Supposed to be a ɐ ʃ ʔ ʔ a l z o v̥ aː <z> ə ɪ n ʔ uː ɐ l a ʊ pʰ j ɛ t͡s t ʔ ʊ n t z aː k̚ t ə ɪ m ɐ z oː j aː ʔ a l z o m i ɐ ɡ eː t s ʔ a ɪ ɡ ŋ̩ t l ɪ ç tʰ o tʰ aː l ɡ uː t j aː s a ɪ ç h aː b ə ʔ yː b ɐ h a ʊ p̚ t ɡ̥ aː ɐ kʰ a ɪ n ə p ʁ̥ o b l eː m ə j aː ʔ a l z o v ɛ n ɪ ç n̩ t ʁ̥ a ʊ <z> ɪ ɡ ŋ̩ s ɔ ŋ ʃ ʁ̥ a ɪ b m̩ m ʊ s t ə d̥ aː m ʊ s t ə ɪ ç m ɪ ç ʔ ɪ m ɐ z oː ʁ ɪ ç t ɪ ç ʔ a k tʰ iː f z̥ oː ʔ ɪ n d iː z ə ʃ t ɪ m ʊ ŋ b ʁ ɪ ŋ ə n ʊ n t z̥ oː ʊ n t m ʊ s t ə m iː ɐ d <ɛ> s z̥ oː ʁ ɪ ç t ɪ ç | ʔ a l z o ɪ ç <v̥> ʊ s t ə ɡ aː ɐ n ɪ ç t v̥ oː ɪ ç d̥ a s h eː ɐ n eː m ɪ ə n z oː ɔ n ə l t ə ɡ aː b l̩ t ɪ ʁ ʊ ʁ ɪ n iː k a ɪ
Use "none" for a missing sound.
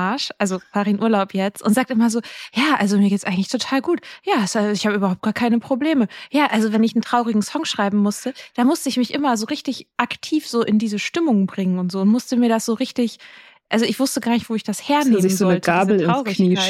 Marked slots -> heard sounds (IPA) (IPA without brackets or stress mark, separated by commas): ʁ, ʁ, a, v̥